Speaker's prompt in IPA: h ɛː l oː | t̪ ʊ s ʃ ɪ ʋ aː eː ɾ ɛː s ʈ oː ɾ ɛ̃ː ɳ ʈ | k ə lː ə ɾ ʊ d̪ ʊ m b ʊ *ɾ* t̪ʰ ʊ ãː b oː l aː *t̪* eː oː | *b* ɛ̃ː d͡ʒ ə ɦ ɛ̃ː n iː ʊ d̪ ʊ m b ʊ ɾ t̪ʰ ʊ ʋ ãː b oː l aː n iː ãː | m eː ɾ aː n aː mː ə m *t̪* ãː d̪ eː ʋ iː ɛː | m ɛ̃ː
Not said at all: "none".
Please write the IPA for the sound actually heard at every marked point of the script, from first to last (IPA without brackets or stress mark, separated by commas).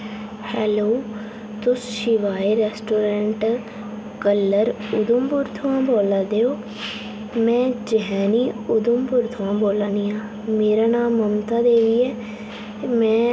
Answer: ɾ, d̪, m, t̪